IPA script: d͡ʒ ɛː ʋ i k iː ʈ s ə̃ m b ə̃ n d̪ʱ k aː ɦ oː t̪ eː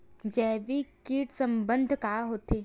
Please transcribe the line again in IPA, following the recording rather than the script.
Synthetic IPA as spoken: d͡ʒ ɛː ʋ i k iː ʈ s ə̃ m b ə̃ n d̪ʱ k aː ɦ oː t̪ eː